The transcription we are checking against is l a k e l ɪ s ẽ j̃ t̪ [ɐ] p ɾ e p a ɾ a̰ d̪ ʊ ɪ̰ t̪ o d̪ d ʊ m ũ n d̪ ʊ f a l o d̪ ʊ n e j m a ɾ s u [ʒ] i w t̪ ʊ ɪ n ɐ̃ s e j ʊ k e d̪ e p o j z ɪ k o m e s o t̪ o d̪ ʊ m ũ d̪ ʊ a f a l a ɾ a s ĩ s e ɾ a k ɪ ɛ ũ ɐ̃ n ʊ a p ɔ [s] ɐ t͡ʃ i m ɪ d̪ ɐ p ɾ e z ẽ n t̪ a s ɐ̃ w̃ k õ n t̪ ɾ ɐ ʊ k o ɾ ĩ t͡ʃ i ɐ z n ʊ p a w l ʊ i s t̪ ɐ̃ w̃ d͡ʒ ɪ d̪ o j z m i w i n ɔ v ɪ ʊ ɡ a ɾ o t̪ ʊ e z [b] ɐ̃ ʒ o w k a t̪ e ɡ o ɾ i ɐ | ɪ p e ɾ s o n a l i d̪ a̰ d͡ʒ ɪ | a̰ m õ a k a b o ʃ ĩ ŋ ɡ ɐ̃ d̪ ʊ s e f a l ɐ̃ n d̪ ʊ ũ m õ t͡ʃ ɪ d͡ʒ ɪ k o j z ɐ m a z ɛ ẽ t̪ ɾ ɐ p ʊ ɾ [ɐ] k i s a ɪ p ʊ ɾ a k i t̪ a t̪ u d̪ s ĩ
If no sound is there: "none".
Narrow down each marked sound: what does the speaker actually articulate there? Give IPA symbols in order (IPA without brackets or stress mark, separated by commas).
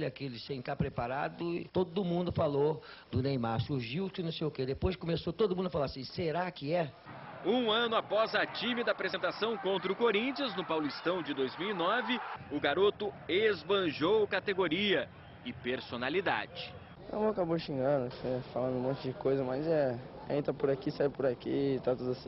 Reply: a, ʒ, z, b, a